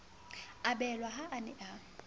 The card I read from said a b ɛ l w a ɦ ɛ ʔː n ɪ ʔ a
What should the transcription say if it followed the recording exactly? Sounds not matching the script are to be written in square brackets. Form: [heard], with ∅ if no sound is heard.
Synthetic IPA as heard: a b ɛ l w a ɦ [a] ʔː n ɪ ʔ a